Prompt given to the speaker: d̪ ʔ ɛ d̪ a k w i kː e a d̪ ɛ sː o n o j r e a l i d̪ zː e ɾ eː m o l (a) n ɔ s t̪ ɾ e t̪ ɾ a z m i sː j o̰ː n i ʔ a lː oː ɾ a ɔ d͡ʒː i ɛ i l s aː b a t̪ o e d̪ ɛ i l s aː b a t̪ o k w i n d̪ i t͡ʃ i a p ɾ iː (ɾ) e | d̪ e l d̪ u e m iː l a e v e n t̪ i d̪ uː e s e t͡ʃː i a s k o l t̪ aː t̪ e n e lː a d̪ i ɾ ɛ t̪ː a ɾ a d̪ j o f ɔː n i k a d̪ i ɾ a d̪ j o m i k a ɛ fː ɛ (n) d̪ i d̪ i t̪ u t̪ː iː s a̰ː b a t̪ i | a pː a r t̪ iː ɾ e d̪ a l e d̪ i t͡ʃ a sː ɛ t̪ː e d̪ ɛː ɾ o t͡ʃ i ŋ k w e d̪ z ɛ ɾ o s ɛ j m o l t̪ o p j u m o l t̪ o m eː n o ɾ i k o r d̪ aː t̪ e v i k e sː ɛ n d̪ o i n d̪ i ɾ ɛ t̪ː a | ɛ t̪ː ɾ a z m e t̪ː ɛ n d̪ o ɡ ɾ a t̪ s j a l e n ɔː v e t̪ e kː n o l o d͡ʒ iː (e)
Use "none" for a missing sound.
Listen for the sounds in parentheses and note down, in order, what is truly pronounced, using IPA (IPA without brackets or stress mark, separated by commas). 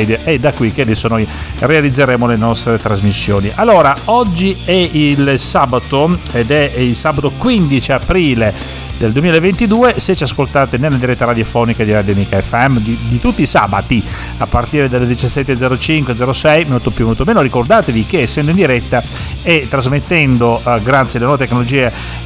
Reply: e, l, m, e